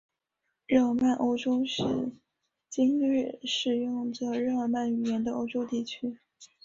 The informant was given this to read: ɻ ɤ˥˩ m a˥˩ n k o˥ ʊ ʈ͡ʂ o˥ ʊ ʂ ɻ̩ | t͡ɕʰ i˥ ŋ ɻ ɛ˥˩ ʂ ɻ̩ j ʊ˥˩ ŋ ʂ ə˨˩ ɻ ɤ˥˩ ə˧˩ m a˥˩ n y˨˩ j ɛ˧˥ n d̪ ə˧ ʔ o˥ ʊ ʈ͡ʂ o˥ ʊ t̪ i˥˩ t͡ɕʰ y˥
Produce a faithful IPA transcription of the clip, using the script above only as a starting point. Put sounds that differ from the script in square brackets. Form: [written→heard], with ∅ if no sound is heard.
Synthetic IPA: ɻ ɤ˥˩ m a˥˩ n [k→ʔ] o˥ ʊ ʈ͡ʂ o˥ ʊ ʂ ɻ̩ | [t͡ɕʰ→t͡ɕ] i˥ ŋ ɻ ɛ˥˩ ʂ ɻ̩ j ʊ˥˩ ŋ [ʂ→ʈ͡ʂ] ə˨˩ ɻ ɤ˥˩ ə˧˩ m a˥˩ n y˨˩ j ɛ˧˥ n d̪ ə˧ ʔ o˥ ʊ ʈ͡ʂ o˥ ʊ t̪ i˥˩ t͡ɕʰ y˥